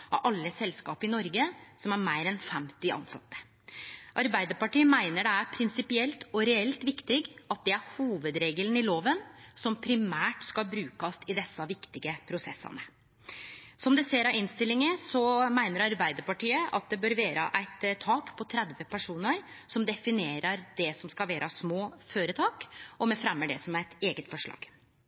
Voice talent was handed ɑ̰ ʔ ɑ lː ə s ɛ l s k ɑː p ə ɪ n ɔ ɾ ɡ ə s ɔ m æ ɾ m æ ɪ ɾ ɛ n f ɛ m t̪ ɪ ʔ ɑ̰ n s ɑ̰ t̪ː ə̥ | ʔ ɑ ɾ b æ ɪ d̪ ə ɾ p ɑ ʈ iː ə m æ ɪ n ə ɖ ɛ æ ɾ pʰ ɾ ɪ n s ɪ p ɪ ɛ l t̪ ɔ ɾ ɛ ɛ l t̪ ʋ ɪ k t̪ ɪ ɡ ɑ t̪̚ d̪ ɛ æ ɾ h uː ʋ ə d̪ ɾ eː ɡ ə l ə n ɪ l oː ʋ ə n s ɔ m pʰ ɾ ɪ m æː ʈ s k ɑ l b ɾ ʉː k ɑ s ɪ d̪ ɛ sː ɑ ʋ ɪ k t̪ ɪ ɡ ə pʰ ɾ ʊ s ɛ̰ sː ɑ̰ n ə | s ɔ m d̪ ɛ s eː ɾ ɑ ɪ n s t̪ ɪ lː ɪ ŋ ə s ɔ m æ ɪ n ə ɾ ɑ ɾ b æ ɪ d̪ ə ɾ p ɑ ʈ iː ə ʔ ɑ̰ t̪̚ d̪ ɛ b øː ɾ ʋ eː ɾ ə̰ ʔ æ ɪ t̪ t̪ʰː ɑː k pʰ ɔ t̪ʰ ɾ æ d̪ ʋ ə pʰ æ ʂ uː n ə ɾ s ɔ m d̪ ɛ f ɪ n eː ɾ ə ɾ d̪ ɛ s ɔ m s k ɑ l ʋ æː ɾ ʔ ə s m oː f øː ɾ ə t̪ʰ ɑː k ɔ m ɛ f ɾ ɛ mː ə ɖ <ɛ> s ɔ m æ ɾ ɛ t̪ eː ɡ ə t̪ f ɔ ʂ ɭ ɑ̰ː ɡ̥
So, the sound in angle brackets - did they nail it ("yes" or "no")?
yes